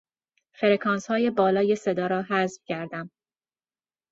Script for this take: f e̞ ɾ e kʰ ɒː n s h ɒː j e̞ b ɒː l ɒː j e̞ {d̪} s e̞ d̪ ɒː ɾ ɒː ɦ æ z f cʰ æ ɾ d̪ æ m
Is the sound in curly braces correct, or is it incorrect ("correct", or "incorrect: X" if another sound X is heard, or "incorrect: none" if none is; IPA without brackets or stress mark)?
incorrect: none